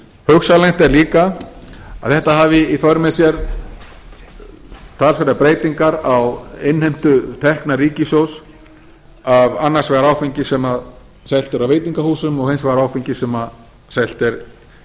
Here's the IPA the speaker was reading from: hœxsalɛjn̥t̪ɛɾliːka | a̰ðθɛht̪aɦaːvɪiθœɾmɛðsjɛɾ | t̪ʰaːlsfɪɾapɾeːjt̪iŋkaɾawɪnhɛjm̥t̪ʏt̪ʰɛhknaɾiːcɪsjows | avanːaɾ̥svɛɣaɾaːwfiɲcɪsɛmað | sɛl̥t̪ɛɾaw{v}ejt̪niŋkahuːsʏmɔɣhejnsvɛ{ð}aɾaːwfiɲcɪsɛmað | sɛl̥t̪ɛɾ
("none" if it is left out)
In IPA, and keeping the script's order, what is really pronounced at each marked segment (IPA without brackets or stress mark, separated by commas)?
v, ɣ